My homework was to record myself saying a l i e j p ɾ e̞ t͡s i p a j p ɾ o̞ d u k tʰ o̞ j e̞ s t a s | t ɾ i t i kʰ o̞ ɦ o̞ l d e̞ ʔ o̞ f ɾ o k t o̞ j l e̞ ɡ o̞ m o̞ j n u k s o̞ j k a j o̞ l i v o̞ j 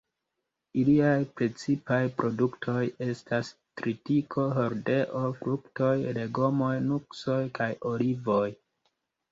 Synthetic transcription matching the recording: i l i a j p ɾ e̞ t͡s i p a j p ɾ o̞ d u k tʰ o̞ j e̞ s t a s | t ɾ i t i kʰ o̞ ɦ o̞ ɾ d e̞ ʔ o̞ f ɾ u k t o̞ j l e̞ ɡ o̞ m o̞ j n u k s o̞ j k a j o̞ l i v o̞ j